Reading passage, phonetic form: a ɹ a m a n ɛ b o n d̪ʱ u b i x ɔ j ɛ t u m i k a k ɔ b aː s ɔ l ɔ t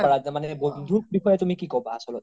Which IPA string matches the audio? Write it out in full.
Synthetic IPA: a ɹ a m a n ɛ b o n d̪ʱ u b i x ɔ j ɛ t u m i k i k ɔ b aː s ɔ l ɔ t